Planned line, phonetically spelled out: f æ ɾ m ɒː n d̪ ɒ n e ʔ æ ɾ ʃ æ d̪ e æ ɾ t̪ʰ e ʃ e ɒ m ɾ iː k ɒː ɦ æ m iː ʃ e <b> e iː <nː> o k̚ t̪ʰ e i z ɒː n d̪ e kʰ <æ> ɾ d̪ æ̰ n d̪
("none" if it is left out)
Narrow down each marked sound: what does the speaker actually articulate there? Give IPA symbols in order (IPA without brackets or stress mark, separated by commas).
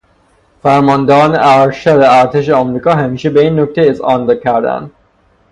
b, nː, æ